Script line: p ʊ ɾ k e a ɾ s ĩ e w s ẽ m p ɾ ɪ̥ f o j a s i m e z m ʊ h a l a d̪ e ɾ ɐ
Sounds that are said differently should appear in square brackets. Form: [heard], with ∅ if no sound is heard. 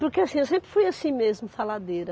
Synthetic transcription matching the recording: p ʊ ɾ k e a [∅] s ĩ e w s ẽ m p ɾ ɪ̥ f [u] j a s [ĩ] m e z m ʊ [f] a l a d̪ e ɾ ɐ